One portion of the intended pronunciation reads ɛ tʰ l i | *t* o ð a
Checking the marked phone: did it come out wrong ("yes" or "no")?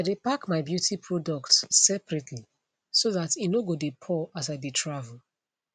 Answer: yes